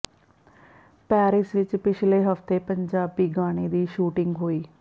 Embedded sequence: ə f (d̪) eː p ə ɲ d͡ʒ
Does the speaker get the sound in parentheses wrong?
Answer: yes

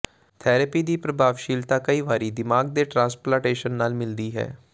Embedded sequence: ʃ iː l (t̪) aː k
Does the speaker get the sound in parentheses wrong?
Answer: no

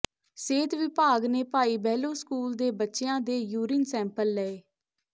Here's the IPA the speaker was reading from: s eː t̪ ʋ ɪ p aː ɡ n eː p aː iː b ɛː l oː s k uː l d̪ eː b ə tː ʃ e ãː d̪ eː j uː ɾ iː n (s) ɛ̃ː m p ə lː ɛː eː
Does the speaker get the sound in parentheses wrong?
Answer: no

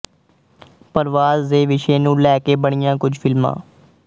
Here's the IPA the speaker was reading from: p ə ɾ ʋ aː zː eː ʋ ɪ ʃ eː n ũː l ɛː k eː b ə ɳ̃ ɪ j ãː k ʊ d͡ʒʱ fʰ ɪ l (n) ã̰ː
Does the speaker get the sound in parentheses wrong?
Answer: yes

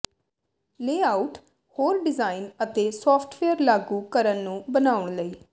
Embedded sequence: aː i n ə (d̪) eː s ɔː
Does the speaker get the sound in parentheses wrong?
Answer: yes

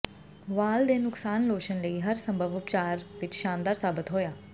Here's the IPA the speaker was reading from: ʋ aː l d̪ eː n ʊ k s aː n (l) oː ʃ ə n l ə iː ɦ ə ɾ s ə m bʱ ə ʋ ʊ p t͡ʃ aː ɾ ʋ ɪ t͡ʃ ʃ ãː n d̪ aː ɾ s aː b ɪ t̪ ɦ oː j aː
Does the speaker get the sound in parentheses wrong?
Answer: no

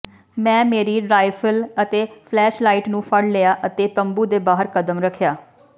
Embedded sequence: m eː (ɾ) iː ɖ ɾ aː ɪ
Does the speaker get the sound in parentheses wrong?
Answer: no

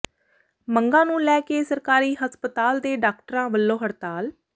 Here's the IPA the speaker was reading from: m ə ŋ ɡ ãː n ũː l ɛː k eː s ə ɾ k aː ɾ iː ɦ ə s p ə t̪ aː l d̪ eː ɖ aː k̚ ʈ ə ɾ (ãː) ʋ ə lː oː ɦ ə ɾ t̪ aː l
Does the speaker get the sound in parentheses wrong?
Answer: no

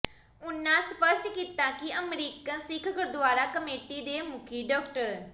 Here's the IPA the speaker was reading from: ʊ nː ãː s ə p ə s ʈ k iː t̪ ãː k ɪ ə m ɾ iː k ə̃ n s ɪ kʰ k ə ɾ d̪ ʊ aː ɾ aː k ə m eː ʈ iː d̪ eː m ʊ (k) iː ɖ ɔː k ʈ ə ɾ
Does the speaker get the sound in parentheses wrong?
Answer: yes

